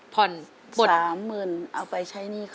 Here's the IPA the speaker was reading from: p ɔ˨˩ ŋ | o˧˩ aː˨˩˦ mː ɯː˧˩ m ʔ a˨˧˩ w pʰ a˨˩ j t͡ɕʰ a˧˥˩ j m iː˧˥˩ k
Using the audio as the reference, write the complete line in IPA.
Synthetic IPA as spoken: pʰ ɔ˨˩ n | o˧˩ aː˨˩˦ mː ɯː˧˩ n ʔ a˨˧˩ w p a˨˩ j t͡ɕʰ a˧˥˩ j n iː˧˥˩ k